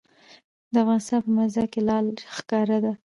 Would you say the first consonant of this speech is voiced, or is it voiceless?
voiced